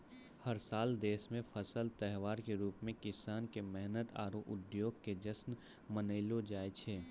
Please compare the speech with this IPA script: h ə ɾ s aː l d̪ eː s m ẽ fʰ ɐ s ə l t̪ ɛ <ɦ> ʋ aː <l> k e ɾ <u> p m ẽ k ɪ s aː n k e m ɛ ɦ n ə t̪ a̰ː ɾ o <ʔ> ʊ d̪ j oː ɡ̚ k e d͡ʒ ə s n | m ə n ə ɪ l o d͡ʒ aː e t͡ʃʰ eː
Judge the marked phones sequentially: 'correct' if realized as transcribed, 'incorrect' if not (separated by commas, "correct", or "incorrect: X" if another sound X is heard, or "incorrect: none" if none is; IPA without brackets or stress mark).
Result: correct, incorrect: ɾ, incorrect: uː, correct